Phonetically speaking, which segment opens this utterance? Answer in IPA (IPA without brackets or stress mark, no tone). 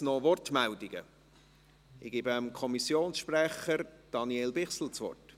n